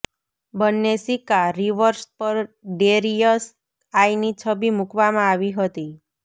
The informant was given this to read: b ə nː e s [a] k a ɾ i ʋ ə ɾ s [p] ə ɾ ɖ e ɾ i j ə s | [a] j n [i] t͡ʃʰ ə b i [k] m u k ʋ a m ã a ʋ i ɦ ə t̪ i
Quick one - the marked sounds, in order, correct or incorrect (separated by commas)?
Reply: incorrect, correct, correct, correct, incorrect